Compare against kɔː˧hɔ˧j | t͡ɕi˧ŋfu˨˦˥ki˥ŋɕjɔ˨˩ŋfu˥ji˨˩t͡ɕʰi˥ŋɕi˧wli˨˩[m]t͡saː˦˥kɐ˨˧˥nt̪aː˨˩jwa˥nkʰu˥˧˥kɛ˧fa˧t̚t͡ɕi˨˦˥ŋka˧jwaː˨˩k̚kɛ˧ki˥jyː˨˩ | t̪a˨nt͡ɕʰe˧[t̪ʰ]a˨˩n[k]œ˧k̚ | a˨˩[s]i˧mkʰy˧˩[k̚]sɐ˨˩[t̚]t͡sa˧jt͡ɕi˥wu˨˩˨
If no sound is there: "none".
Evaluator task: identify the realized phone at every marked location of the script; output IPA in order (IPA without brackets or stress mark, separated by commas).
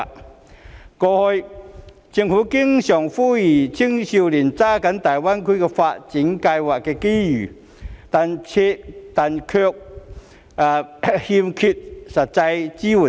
n, t̪, kʰ, h, t̚, t̚